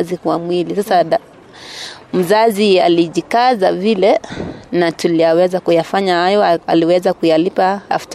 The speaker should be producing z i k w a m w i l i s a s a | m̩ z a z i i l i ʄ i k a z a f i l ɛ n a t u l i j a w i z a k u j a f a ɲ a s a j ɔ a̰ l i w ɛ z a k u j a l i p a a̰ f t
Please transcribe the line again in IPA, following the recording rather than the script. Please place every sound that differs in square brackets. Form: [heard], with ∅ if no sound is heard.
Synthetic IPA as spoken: z i k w a m w i l i s a s a | m̩ z a z i [a] l i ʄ i k a z a [v] i l ɛ n a t u l i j a w [ɛ] z a k u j a f a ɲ a [h] a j ɔ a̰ l i w ɛ z a k u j a l i p a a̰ f t